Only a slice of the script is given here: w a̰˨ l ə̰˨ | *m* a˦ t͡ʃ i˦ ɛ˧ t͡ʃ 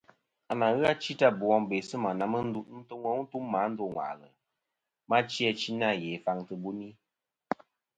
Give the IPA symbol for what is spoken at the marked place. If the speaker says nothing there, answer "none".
m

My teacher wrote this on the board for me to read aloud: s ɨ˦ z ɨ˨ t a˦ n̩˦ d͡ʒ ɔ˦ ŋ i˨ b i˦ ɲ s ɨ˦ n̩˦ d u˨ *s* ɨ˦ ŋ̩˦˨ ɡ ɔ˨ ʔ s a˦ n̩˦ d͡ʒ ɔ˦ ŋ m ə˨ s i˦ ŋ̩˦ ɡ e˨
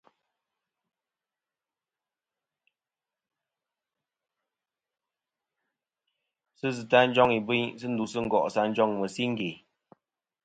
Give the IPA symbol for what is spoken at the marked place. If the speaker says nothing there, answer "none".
s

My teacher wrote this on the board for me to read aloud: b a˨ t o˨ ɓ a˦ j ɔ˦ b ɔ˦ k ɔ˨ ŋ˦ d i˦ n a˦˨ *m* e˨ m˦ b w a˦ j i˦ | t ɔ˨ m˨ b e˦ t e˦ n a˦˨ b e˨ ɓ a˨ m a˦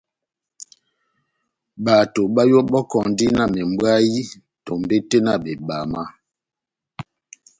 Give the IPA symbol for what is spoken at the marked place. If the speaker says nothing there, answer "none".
m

